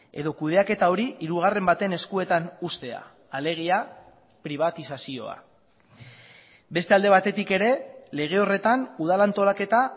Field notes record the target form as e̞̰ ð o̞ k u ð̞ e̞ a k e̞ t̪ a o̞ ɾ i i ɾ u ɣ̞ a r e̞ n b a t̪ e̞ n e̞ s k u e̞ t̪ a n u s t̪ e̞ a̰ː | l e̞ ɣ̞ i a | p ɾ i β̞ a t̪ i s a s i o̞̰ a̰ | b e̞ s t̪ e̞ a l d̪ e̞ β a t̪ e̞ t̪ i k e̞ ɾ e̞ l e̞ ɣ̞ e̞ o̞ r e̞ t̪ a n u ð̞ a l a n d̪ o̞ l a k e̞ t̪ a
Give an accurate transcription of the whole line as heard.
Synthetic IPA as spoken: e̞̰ ð o̞ k u ð̞ e̞ a k e̞ t̪ a o̞ ɾ i i ɾ u ɣ̞ a r e̞ m b a t̪ e̞ n e̞ s k u e̞ t̪ a n u s t̪ e̞ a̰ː | l e̞ ɣ̞ i a | p ɾ i β̞ a t̪ i s a s i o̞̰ a̰ | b e̞ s t̪ e̞ a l d̪ e̞ β a t̪ e̞ t̪ i k e̞ ɾ e̞ l e̞ ɣ̞ e̞ o̞ r e̞ t̪ a n u ð̞ a l a n t̪ o̞ l a k e̞ t̪ a